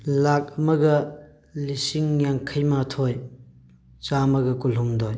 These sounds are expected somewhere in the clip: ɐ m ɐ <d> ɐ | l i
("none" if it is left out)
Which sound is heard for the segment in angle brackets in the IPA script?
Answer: ɡ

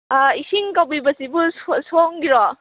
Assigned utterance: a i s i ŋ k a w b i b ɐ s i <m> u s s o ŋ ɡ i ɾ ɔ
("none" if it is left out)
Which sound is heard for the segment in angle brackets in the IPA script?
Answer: b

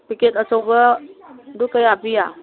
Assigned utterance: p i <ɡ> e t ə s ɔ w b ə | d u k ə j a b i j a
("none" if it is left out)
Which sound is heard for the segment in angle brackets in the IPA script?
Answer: k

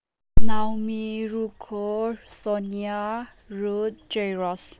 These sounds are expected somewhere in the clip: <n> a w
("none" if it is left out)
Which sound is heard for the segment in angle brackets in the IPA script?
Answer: n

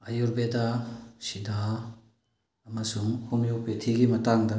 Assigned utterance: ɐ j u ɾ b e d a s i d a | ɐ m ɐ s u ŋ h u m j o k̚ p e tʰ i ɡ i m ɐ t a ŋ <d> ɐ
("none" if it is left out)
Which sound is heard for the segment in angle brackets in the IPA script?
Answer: d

